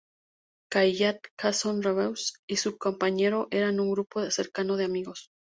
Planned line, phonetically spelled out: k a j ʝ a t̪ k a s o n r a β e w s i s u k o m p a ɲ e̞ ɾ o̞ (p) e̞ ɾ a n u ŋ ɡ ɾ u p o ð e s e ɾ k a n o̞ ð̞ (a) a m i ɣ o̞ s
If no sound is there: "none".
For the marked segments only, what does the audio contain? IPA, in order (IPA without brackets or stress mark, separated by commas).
ʔ, e